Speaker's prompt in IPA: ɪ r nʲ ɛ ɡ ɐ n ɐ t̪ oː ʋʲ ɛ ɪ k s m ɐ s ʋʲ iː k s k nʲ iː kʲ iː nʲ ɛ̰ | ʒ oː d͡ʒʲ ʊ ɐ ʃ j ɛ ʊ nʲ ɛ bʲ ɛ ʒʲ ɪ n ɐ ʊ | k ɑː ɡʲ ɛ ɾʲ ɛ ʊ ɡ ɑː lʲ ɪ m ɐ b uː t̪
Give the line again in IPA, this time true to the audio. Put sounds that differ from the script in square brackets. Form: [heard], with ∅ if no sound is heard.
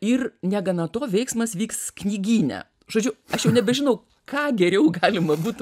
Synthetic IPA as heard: ɪ r nʲ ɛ ɡ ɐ n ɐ t̪ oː ʋʲ ɛ ɪ k s m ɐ s ʋʲ iː k s k nʲ iː [ɡʲ] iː nʲ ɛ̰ | ʒ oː d͡ʒʲ ʊ ɐ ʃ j ɛ ʊ nʲ ɛ bʲ ɛ ʒʲ ɪ n ɐ ʊ | k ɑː ɡʲ ɛ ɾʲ ɛ ʊ ɡ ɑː lʲ ɪ m ɐ b uː t̪